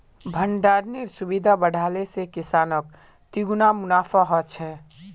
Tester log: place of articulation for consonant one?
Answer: labial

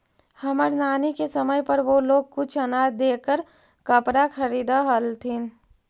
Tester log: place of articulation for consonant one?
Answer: glottal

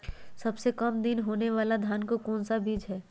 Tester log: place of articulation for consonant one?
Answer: alveolar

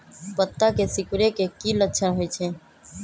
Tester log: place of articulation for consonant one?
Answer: labial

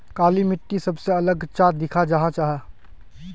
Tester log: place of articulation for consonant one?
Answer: velar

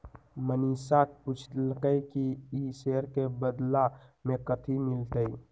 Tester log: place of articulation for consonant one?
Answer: labial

